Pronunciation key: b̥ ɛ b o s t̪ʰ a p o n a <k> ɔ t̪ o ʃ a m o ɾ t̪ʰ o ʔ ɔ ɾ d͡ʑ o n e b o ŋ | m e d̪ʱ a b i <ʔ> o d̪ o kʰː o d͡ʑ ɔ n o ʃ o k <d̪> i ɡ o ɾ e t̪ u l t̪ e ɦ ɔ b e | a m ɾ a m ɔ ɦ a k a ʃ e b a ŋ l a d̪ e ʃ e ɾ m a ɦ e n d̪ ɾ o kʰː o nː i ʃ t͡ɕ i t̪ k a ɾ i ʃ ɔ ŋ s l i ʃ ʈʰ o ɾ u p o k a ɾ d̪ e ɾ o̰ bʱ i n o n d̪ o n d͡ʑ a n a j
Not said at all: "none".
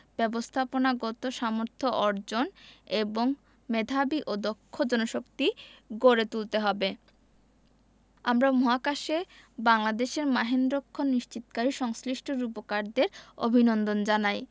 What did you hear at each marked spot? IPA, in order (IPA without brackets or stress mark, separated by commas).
ɡ, ʔ, t̪